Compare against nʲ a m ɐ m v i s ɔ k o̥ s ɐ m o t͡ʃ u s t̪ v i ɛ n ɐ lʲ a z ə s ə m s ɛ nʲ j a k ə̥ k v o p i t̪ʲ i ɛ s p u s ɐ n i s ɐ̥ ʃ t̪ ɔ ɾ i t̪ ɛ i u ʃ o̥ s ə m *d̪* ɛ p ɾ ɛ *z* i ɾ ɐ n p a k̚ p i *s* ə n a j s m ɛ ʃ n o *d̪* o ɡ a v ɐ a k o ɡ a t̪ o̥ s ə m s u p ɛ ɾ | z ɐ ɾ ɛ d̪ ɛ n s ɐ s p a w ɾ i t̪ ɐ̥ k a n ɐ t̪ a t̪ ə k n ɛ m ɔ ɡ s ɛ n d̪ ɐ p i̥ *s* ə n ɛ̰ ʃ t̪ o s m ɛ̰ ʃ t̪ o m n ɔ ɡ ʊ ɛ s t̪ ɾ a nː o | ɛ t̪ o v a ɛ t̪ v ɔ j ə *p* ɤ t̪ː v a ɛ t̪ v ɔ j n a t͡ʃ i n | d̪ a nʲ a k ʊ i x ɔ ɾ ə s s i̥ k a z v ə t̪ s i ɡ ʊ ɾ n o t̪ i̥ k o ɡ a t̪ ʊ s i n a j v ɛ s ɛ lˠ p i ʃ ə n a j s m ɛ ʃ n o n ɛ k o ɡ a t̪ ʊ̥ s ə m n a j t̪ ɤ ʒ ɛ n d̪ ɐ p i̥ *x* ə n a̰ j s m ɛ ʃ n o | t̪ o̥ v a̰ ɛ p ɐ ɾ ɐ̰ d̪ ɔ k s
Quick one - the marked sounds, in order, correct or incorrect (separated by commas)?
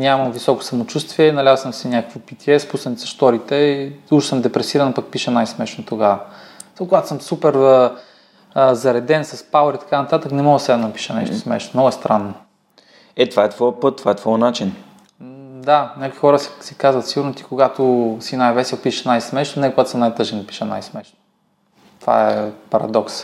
correct, incorrect, incorrect, incorrect, incorrect, correct, incorrect